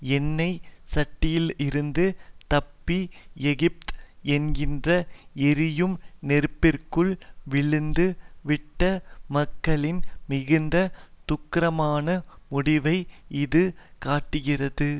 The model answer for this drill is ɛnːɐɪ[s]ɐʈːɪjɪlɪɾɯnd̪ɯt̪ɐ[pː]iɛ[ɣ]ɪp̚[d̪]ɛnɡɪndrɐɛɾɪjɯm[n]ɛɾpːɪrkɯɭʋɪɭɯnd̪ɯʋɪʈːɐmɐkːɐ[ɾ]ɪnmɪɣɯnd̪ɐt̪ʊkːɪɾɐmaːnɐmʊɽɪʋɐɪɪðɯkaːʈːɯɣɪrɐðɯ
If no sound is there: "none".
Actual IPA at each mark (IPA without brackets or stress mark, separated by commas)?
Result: s, pː, ɣ, t̪, n, ɭ